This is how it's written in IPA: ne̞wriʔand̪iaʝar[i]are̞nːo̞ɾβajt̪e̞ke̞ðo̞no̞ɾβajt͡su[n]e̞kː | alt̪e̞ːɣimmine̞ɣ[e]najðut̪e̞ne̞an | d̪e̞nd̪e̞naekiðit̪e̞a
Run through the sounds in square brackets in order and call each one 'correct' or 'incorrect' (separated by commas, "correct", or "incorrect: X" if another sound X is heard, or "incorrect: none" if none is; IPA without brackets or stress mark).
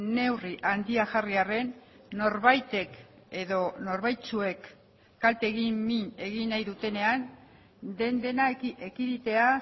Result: correct, incorrect: none, incorrect: i